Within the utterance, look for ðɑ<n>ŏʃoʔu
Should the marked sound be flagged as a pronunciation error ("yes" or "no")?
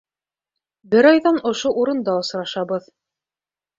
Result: no